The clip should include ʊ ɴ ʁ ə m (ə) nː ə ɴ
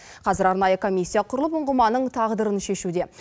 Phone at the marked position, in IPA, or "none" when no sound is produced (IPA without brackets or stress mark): ɑ